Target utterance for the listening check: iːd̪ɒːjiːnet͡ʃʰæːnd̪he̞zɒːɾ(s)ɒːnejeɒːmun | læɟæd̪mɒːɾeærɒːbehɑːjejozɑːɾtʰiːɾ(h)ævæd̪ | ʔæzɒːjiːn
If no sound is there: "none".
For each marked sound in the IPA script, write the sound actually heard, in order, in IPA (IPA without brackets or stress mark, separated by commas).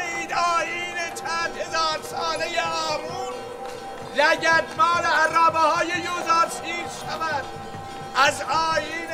s, ʃ